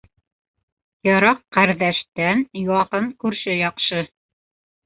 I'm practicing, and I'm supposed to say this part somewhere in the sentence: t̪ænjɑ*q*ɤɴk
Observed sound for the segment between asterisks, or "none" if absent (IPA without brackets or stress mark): q